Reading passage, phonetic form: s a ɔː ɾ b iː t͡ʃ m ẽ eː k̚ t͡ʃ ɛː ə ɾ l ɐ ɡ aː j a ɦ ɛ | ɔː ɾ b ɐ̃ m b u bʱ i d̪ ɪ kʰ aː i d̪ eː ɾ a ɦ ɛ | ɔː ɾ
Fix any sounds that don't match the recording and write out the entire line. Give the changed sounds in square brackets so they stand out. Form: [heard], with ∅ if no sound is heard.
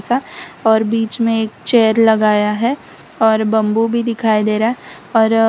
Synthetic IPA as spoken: s a ɔː ɾ b iː t͡ʃ m ẽ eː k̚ t͡ʃ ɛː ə ɾ l ɐ ɡ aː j a ɦ ɛ | ɔː ɾ b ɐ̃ m b u bʱ i d̪ ɪ kʰ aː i d̪ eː ɾ a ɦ ɛ | ɔː ɾ